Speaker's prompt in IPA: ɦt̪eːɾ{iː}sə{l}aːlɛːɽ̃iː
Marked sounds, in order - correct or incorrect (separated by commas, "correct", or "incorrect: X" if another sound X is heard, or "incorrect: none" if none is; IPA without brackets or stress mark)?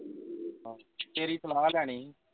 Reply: correct, correct